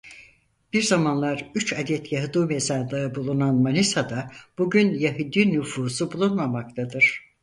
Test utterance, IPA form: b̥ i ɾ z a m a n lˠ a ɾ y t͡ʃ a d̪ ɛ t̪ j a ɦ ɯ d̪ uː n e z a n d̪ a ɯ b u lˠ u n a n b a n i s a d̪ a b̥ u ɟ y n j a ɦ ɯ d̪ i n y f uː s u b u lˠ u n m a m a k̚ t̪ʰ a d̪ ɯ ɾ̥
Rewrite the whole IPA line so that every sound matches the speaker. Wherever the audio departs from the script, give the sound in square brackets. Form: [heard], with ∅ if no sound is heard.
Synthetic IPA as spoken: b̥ i ɾ z a m a n lˠ a ɾ y t͡ʃ a d̪ ɛ t̪ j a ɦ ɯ d̪ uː [m] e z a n d̪ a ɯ b u lˠ u n a n [m] a n i s a d̪ a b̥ u ɟ y n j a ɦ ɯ d̪ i n y f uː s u b u lˠ u n m a m a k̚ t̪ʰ a d̪ ɯ ɾ̥

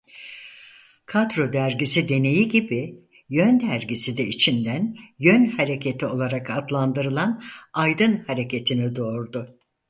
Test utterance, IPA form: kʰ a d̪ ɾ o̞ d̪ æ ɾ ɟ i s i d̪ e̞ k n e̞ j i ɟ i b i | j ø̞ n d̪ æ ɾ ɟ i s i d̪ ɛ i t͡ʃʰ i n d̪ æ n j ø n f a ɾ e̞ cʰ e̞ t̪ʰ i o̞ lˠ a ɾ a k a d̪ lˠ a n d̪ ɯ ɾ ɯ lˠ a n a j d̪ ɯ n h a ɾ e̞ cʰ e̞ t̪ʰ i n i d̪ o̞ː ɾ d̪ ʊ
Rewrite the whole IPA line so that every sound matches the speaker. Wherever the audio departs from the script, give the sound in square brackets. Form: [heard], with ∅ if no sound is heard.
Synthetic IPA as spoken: kʰ a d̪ ɾ o̞ d̪ æ ɾ ɟ i s i d̪ e̞ [∅] n e̞ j i ɟ i b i | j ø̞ n d̪ æ ɾ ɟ i s i d̪ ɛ i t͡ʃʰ i n d̪ æ n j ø n [h] a ɾ e̞ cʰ e̞ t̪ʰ i o̞ lˠ a ɾ a k a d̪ lˠ a n d̪ ɯ ɾ ɯ lˠ a n a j d̪ ɯ n h a ɾ e̞ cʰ e̞ t̪ʰ i n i d̪ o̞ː ɾ d̪ ʊ

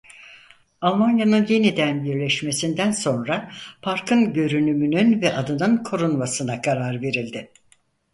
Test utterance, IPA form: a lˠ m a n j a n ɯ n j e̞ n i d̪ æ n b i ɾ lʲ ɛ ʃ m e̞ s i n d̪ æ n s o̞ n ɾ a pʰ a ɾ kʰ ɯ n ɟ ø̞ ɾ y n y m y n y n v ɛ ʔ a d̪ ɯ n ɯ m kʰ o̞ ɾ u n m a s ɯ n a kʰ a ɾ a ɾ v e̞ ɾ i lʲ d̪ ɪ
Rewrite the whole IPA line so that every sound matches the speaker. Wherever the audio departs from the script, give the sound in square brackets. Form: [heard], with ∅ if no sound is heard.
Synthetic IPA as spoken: a lˠ m a n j a n ɯ n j e̞ n i d̪ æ n b i ɾ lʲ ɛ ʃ m e̞ s i n d̪ æ n s o̞ n ɾ a pʰ a ɾ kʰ ɯ n ɟ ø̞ ɾ y n y m y n y n v ɛ ʔ a d̪ ɯ n ɯ [n] kʰ o̞ ɾ u n m a s ɯ n a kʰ a ɾ a ɾ v e̞ ɾ i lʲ d̪ ɪ

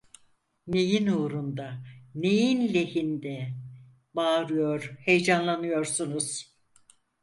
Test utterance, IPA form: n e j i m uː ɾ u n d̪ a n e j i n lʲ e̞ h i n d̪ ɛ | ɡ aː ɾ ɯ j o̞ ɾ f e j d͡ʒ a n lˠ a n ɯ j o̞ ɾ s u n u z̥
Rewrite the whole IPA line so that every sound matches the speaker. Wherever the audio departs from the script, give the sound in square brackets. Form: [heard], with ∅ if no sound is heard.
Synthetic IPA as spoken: n e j i [n] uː ɾ u n d̪ a n e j i n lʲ e̞ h i n d̪ ɛ | [b] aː ɾ ɯ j o̞ ɾ [h] e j d͡ʒ a n lˠ a n ɯ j o̞ ɾ s u n u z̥

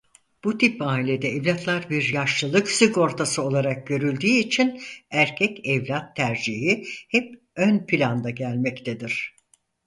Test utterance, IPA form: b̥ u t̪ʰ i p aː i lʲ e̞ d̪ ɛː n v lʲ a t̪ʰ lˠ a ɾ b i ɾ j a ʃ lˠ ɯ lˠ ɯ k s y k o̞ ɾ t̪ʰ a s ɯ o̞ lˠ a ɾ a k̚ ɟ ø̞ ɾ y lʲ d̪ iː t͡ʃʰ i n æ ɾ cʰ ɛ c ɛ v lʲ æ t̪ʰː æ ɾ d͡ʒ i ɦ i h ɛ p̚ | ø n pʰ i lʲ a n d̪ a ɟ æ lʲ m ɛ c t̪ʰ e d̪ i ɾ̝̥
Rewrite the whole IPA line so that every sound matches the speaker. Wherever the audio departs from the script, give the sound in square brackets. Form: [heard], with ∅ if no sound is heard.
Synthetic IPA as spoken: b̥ u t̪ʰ i p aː i lʲ e̞ d̪ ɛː [∅] v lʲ a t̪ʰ lˠ a ɾ b i ɾ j a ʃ lˠ ɯ lˠ ɯ k s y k o̞ ɾ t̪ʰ a s ɯ o̞ lˠ a ɾ a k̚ ɟ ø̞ ɾ y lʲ d̪ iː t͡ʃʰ i n æ ɾ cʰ ɛ c ɛ v lʲ [a] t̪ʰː æ ɾ d͡ʒ i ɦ i h ɛ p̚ | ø n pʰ i lʲ a n d̪ a ɟ æ lʲ m ɛ c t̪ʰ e d̪ i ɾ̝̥

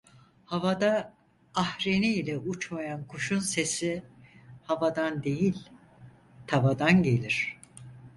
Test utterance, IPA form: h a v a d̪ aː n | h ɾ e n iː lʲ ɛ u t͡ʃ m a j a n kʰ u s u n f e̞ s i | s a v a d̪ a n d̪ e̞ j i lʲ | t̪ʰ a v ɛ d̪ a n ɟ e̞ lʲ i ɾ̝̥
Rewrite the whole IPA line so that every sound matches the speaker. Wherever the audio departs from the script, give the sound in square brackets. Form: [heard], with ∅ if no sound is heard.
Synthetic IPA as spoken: h a v a d̪ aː [∅] | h ɾ e n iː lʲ ɛ u t͡ʃ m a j a n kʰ u [ʃ] u n [s] e̞ s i | [h] a v a d̪ a n d̪ e̞ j i lʲ | t̪ʰ a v [a] d̪ a n ɟ e̞ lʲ i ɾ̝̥

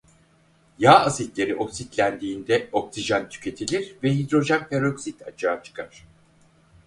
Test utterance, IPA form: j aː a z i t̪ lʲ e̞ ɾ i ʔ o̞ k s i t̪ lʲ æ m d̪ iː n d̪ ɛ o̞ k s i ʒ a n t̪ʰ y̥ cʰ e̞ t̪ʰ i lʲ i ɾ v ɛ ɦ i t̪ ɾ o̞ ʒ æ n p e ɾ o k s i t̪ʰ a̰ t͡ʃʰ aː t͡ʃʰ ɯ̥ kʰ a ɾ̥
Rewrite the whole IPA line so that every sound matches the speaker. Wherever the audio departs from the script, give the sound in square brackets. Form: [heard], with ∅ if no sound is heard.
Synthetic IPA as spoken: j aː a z i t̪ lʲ e̞ ɾ i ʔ o̞ k s i t̪ lʲ æ [n] d̪ iː n d̪ ɛ o̞ k s i ʒ a n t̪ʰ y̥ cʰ e̞ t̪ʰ i lʲ i ɾ v ɛ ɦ i [d̪] ɾ o̞ ʒ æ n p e ɾ o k s i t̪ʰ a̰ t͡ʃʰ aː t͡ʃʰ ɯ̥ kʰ a ɾ̥

